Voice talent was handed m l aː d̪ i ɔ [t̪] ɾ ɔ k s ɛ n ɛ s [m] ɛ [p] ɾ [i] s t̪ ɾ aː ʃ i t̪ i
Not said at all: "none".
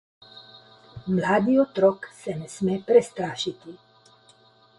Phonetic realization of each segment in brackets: t̪, m, p, ɛ

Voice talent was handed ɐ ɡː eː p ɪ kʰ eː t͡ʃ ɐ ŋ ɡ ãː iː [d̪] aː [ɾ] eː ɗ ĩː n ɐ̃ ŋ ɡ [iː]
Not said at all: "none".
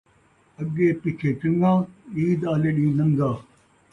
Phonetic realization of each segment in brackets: d̪, l, aː

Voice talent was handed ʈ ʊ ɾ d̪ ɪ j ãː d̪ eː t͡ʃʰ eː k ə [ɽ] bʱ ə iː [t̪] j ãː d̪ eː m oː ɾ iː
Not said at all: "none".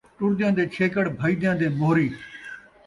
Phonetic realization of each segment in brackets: ɽ, d̪

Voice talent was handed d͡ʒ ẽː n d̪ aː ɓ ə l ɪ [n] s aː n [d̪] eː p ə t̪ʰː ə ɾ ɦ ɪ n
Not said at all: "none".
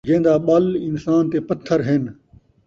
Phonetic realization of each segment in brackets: n, t̪

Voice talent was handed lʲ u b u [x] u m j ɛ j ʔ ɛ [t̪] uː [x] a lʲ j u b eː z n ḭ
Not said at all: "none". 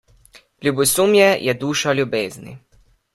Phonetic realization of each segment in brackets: s, d̪, ʃ

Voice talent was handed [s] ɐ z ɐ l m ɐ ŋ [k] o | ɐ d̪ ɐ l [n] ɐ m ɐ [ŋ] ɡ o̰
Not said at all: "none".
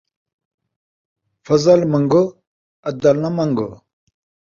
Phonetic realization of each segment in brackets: f, ɡ, n, ŋ

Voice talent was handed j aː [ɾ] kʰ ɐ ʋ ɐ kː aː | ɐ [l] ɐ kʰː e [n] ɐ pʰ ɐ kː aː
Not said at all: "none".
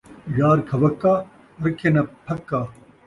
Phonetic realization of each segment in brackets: ɾ, ɾ, n

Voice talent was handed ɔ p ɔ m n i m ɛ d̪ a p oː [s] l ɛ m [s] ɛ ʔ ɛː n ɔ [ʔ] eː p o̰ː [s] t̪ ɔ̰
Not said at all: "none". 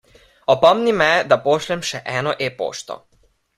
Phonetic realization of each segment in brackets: ʃ, ʃ, ʔ, ʃ

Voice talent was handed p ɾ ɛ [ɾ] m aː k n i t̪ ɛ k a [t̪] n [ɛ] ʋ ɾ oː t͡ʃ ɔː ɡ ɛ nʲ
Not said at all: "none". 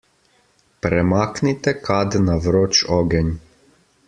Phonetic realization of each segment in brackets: none, d̪, a

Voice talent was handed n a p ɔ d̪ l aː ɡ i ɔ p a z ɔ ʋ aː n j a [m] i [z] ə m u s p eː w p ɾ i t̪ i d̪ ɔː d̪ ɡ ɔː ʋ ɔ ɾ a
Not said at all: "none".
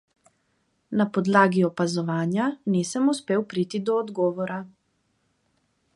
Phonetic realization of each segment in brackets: n, s

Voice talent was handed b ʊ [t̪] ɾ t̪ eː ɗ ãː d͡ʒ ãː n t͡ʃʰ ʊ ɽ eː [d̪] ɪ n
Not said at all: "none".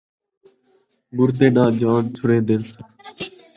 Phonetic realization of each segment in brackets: none, d̪

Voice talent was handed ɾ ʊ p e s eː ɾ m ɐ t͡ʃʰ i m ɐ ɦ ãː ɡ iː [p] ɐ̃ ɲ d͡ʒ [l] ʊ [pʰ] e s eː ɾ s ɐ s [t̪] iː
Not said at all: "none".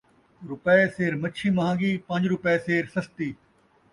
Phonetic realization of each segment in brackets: p, ɾ, p, t̪

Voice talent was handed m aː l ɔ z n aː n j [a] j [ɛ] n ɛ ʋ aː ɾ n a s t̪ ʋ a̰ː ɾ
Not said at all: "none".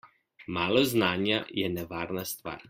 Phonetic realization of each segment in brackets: a, ɛ

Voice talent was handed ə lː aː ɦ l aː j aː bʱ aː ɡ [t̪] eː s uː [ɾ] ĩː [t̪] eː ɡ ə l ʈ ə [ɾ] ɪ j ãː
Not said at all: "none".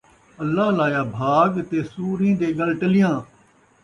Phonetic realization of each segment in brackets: t̪, ɾ, d̪, l

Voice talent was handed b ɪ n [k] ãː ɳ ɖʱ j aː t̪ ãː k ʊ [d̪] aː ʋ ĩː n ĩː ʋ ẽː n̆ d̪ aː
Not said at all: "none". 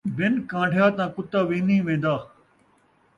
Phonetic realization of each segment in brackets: k, t̪

